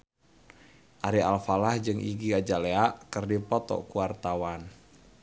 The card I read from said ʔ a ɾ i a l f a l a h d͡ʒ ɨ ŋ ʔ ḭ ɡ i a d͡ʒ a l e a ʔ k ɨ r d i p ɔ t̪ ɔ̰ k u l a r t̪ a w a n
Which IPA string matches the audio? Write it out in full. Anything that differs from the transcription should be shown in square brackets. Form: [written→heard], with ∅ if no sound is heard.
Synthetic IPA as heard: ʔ a ɾ i a l f a l a h d͡ʒ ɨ ŋ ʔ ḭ ɡ i a d͡ʒ a l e a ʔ k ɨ r d i p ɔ t̪ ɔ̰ k u [l→∅] a r t̪ a w a n